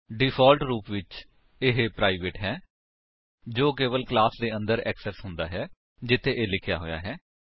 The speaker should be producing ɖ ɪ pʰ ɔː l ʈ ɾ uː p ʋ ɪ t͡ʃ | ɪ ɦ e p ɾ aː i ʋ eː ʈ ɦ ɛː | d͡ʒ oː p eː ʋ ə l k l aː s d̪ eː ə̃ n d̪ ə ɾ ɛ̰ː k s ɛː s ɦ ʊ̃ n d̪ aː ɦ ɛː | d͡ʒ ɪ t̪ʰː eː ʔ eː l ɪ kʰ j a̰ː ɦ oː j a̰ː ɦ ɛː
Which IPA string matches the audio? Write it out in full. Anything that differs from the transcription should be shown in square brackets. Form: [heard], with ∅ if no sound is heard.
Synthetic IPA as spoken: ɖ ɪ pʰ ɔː l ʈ ɾ uː p ʋ ɪ t͡ʃ | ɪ ɦ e p ɾ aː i ʋ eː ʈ ɦ ɛː | d͡ʒ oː [k] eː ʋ ə l k l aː s d̪ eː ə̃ n d̪ ə ɾ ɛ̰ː k s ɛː s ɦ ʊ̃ n d̪ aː ɦ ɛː | d͡ʒ ɪ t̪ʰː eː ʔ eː l ɪ kʰ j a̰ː ɦ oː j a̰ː ɦ ɛː